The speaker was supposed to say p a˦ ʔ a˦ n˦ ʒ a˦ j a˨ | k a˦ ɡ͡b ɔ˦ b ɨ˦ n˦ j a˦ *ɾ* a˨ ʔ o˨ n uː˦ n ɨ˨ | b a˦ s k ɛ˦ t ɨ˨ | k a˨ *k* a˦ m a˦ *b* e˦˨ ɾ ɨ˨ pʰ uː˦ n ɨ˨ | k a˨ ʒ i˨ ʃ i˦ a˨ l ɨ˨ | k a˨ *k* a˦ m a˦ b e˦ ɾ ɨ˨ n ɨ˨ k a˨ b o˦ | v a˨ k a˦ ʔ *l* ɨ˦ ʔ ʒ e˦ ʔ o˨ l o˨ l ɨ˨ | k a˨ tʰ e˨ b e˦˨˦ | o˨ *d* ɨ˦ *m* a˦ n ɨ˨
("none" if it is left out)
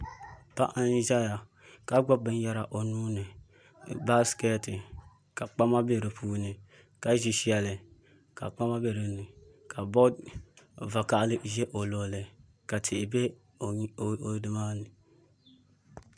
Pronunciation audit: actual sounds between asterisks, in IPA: ɾ, k͡p, b, k͡p, l, d, m

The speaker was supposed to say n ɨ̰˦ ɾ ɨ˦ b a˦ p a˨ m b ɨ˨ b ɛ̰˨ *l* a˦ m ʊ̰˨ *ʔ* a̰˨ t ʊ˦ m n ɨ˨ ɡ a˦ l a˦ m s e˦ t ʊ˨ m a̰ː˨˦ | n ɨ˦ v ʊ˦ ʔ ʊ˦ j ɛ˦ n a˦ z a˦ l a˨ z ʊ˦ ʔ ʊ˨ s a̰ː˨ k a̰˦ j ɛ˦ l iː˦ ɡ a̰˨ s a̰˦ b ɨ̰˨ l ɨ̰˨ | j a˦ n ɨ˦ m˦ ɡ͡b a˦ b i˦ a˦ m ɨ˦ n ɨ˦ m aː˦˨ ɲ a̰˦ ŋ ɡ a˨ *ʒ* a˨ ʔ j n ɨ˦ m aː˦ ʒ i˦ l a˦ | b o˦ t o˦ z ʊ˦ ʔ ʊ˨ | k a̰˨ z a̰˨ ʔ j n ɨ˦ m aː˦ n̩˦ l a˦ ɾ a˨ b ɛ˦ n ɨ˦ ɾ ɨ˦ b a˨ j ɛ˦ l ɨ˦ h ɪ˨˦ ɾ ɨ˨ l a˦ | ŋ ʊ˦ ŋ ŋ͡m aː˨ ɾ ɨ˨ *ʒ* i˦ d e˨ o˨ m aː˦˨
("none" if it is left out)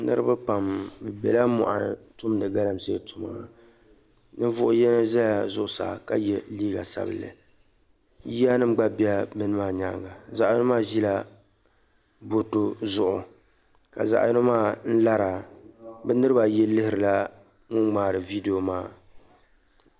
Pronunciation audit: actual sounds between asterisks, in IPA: l, ʔ, z, v

